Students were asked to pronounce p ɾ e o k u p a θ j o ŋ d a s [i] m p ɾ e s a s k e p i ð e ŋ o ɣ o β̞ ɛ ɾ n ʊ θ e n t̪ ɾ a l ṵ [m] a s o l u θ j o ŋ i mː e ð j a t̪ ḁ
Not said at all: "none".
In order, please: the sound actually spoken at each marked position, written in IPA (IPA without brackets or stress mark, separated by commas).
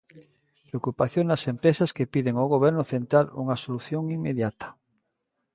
e, ŋ